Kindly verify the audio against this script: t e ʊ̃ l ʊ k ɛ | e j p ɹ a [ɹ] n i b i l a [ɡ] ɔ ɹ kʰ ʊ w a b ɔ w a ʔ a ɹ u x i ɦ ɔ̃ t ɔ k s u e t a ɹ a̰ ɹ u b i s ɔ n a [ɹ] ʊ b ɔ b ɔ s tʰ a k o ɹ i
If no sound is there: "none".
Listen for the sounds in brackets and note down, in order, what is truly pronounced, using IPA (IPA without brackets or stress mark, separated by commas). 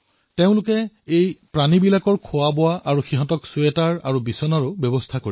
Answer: none, k, ɹ